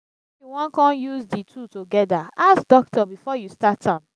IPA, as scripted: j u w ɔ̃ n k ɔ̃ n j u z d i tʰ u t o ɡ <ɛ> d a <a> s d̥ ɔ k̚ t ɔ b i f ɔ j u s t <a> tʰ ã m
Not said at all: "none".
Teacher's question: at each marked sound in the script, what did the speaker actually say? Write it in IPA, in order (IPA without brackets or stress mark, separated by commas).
ɛ, a, a